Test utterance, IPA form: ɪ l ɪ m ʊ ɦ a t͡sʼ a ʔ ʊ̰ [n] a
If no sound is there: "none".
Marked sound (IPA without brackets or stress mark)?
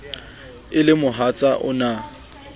n